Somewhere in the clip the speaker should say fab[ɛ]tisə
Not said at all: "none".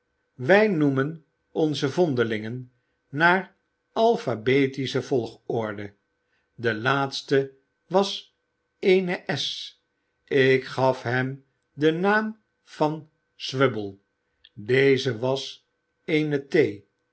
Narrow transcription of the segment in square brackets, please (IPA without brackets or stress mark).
e